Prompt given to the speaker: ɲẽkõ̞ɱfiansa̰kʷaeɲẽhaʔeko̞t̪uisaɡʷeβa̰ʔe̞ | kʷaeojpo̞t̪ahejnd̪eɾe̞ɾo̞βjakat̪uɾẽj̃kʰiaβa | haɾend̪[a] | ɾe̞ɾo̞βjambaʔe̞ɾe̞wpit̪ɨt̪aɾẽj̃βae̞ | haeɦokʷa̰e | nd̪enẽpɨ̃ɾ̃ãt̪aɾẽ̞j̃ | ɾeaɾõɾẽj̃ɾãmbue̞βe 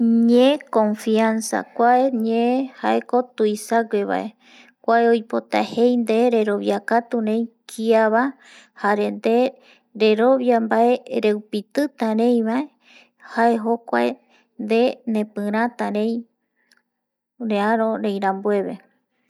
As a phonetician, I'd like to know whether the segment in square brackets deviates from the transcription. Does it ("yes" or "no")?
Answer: yes